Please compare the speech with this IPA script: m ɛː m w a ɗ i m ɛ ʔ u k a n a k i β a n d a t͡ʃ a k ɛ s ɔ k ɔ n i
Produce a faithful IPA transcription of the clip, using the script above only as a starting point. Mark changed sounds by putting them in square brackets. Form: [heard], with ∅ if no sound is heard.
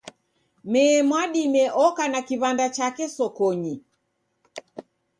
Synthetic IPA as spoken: m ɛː m w a ɗ i m ɛ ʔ [ɔ] k a n a k i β a n d a t͡ʃ a k ɛ s ɔ k ɔ [ɲ] i

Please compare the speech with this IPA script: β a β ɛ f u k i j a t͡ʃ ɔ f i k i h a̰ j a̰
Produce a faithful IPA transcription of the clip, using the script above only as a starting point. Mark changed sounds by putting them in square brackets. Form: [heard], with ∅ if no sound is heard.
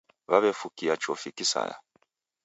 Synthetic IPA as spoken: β a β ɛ f u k i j a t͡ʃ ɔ f i k i [s] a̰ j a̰

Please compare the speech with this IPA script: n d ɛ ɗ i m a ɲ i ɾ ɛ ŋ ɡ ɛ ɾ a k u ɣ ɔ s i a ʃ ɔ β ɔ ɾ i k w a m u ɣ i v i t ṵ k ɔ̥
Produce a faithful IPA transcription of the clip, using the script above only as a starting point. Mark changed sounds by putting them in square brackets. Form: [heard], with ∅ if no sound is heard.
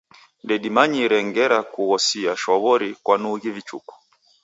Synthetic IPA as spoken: n d ɛ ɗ i m a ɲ i ɾ ɛ ŋ ɡ ɛ ɾ a k u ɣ ɔ s i a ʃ ɔ β ɔ ɾ i k w a [n] u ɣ i v i [t͡ʃ] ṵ k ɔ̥

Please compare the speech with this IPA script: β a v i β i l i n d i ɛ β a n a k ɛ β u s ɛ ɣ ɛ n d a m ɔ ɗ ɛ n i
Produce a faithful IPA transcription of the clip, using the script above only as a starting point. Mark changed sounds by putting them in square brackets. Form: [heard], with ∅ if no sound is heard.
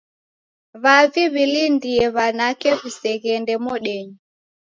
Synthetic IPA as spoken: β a v i β i l i n d i ɛ β a n a k ɛ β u s ɛ ɣ ɛ n d [ɛ] m ɔ ɗ ɛ [ɲ] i

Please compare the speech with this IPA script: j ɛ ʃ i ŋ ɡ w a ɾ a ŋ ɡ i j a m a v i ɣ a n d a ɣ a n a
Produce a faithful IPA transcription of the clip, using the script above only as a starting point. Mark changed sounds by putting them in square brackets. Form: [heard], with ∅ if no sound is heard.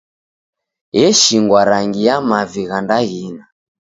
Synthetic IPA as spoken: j ɛ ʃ i ŋ ɡ w a ɾ a ŋ ɡ i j a m a v i ɣ a n d a ɣ [i] n a

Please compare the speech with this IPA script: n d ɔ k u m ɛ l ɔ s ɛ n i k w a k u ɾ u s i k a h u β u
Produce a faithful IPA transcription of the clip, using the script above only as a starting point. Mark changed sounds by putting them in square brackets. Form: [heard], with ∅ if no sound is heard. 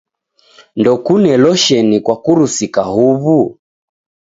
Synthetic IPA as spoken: n d ɔ k u [n] ɛ l ɔ [ʃ] ɛ n i k w a k u ɾ u s i k a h u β u

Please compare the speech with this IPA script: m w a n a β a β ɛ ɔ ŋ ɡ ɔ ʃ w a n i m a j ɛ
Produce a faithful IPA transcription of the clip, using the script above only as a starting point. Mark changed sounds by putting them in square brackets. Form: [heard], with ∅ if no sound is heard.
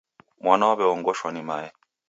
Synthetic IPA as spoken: m w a n a [w] a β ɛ ɔ ŋ ɡ ɔ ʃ w a n i m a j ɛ

